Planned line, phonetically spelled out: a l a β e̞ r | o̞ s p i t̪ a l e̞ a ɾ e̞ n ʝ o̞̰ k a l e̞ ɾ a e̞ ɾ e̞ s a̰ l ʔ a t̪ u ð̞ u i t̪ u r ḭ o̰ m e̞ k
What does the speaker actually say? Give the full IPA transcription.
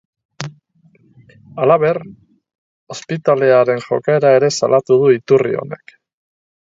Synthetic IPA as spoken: a l a β e̞ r | o̞ s p i t̪ a l e̞ a ɾ e̞ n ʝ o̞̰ k a e̞ ɾ a e̞ ɾ e̞ s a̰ l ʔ a t̪ u ð̞ u i t̪ u r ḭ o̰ n e̞ k

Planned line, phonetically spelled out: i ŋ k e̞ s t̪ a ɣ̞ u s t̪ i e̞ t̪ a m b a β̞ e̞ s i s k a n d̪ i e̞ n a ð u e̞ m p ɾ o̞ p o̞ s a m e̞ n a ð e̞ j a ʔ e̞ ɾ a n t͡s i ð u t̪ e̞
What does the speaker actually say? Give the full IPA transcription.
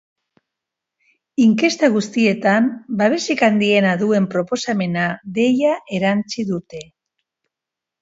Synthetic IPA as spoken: i ŋ k e̞ s t̪ a ɣ̞ u s t̪ i e̞ t̪ a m b a β̞ e̞ s i k a n d̪ i e̞ n a ð u e̞ m p ɾ o̞ p o̞ s a m e̞ n a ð e̞ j a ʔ e̞ ɾ a n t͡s i ð u t̪ e̞

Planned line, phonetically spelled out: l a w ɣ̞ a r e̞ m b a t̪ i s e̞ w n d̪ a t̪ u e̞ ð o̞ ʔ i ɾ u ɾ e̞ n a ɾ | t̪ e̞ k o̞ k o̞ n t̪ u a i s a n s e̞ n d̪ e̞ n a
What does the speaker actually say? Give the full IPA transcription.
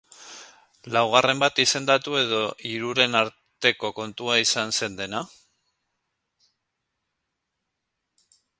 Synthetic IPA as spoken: l a w ɣ̞ a r e̞ m b a t̪ i s e̞ n d̪ a t̪ u e̞ ð o̞ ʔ i ɾ u ɾ e̞ n a ɾ | t̪ e̞ k o̞ k o̞ n t̪ u a i s a n s e̞ n d̪ e̞ n a

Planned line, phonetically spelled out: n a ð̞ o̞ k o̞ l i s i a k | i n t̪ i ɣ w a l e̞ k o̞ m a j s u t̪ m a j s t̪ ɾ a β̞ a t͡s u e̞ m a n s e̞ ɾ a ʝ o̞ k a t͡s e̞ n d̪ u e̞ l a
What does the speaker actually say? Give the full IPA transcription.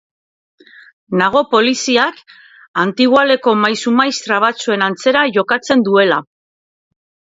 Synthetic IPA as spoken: n a ɣ̞ o̞ p o̞ l i s i a k | a n t̪ i ɣ w a l e̞ k o̞ m a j s u m a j s t̪ ɾ a β̞ a t͡s u e̞ n a n t͡s e̞ ɾ a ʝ o̞ k a t͡s e̞ n d̪ u e̞ l a

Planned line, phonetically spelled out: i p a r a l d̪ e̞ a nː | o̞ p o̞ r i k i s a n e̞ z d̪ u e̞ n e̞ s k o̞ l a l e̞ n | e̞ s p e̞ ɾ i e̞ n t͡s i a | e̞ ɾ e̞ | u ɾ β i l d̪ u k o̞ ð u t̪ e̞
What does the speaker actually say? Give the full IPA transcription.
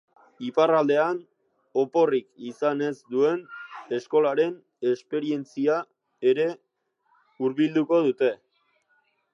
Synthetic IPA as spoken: i p a r a l d̪ e̞ a n | o̞ p o̞ r i k i s a n e̞ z d̪ u e̞ n e̞ s k o̞ l a ɾ e̞ n | e̞ s p e̞ ɾ i e̞ n t͡s i a | e̞ ɾ e̞ | u ɾ β i l d̪ u k o̞ ð u t̪ e̞

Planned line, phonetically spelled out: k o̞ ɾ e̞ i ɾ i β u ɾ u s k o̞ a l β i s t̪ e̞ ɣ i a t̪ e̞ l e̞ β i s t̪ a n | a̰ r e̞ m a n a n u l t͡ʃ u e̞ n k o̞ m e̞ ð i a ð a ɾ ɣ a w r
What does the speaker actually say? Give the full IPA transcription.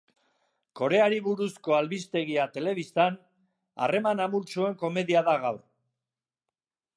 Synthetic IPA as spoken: k o̞ ɾ e̞ a ɾ i β u ɾ u s k o̞ a l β i s t̪ e̞ ɣ i a t̪ e̞ l e̞ β i s t̪ a n | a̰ r e̞ m a n a m u l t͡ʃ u e̞ ŋ k o̞ m e̞ ð i a ð a ɣ a w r

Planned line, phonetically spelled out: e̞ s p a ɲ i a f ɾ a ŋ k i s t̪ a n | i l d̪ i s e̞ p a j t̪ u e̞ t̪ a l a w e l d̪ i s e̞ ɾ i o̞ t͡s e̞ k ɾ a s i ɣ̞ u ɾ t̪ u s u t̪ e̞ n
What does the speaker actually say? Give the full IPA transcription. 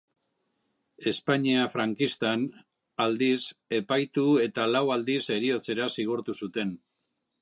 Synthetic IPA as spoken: e̞ s p a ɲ i a f ɾ a ŋ k i s t̪ a n | a l d̪ i s e̞ p a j t̪ u e̞ t̪ a l a w a l d̪ i s e̞ ɾ i o̞ t͡s e̞ ɾ a s i ɣ̞ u ɾ t̪ u s u t̪ e̞ n

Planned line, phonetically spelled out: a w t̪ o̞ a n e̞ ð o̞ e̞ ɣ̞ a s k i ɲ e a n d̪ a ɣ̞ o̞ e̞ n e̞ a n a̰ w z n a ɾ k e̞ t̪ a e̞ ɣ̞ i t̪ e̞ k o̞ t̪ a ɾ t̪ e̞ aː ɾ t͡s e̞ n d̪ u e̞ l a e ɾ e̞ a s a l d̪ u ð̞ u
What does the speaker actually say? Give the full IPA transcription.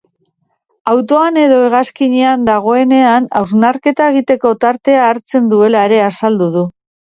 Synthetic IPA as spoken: a w t̪ o̞ a n e̞ ð o̞ e̞ ɣ̞ a s k i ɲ e a n d̪ a ɣ̞ o̞ e̞ n e̞ a n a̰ w z n a ɾ k e̞ t̪ a e̞ ɣ̞ i t̪ e̞ k o̞ t̪ a ɾ t̪ e̞ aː ɾ t͡s e̞ n d̪ u e̞ l a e ɾ e̞ a s a l d̪ u ð̞ u

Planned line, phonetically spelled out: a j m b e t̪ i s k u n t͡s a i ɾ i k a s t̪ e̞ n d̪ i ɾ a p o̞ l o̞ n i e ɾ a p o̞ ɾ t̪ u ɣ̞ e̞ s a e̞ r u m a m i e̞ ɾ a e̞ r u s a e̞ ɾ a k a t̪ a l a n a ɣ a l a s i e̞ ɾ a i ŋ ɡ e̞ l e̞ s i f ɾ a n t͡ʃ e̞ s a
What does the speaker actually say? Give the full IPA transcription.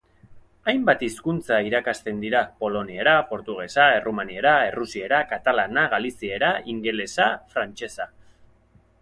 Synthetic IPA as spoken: a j m b a t̪ i s k u n t͡s a i ɾ a k a s t̪ e̞ n d̪ i ɾ a p o̞ l o̞ n i e ɾ a p o̞ ɾ t̪ u ɣ̞ e̞ s a e̞ r u m a n i e̞ ɾ a e̞ r u s i e̞ ɾ a k a t̪ a l a n a ɣ a l i s i e̞ ɾ a i ŋ ɡ e̞ l e̞ s a f ɾ a n t͡ʃ e̞ s a

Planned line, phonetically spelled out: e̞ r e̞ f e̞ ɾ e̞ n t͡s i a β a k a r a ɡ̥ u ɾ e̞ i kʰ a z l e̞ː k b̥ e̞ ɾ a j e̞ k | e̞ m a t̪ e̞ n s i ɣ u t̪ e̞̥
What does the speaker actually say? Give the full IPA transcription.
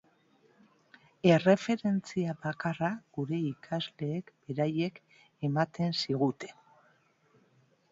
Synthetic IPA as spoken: e̞ r e̞ f e̞ ɾ e̞ n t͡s i a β a k a r a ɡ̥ u ɾ e̞ i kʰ a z l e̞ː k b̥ e̞ ɾ a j e̞ k | e̞ m a t̪ e̞ n s i ɣ u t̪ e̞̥

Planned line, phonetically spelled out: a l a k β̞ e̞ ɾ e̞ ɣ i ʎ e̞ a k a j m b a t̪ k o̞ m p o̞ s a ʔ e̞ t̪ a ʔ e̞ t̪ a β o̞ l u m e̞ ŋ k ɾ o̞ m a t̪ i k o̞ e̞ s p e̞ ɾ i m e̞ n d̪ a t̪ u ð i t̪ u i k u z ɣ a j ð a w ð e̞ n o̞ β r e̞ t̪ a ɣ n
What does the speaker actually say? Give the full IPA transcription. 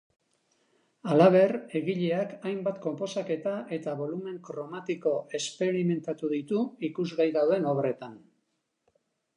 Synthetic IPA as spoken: a l a β̞ e̞ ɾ e̞ ɣ i ʎ e̞ a k a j m b a t̪ k o̞ m p o̞ s a k e̞ t̪ a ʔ e̞ t̪ a β o̞ l u m e̞ ŋ k ɾ o̞ m a t̪ i k o̞ e̞ s p e̞ ɾ i m e̞ n t̪ a t̪ u ð i t̪ u i k u z ɣ a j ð a w ð e̞ n o̞ β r e̞ t̪ a n

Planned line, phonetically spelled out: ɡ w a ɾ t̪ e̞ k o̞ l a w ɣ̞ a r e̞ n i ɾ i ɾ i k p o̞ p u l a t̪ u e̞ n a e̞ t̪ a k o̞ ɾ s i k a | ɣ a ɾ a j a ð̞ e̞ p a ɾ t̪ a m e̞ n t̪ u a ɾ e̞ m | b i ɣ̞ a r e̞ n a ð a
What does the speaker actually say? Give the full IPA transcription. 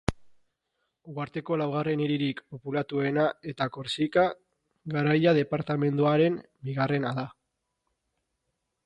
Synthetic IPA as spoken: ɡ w a ɾ t̪ e̞ k o̞ l a w ɣ̞ a r e̞ n i ɾ i ɾ i k p o̞ p u l a t̪ u e̞ n a e̞ t̪ a k o̞ ɾ s i k a | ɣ a ɾ a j a ð̞ e̞ p a ɾ t̪ a m e̞ n d̪ u a ɾ e̞ m | b i ɣ̞ a r e̞ n a ð a

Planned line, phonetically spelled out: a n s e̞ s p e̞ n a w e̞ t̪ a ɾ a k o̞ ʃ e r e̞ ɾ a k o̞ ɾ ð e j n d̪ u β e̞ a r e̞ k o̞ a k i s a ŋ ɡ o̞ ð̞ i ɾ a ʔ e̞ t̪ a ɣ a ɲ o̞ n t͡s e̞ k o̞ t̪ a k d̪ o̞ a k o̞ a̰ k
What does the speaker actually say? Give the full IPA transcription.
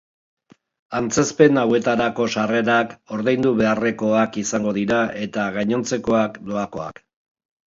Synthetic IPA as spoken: a n t͡s e̞ s p e̞ n a w e̞ t̪ a ɾ a k o̞ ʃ a r e̞ ɾ a k o̞ ɾ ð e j n d̪ u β e̞ a r e̞ k o̞ a k i s a ŋ ɡ o̞ ð̞ i ɾ a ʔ e̞ t̪ a ɣ a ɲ o̞ n t͡s e̞ k o̞ a k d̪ o̞ a k o̞ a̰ k

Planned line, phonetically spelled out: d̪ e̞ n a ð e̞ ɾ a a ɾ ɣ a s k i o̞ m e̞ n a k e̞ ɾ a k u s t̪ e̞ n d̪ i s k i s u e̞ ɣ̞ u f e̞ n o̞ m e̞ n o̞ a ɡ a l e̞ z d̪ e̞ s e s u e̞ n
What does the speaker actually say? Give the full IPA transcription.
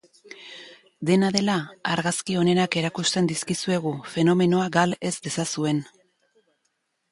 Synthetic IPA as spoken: d̪ e̞ n a ð e̞ l a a ɾ ɣ a s k i o̞ n e̞ n a k e̞ ɾ a k u s t̪ e̞ n d̪ i s k i s u e̞ ɣ̞ u f e̞ n o̞ m e̞ n o̞ a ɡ a l e̞ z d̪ e̞ s a s u e̞ n

